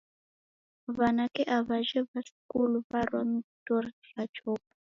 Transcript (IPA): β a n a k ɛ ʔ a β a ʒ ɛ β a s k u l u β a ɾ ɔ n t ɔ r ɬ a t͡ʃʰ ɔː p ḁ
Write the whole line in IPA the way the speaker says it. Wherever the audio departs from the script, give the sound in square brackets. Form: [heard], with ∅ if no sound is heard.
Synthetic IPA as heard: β a n a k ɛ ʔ a β a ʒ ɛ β a s k u l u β a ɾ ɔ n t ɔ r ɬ a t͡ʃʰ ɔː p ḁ